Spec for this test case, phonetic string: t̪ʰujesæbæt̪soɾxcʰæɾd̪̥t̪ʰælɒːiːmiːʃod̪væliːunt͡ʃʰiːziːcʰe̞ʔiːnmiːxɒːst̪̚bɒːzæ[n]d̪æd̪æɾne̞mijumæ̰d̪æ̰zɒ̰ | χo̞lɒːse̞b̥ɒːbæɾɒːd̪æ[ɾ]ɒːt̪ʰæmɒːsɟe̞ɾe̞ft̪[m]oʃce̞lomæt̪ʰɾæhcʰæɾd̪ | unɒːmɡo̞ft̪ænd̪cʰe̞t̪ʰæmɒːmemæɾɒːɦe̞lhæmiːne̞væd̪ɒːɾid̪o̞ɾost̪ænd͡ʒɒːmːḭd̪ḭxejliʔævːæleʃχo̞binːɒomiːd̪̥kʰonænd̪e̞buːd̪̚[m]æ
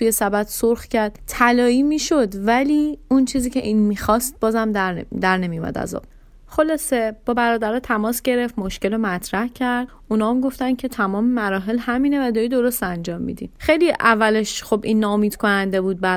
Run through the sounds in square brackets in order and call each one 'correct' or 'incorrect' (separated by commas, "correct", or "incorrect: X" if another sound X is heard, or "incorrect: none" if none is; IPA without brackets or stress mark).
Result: incorrect: m, correct, correct, incorrect: b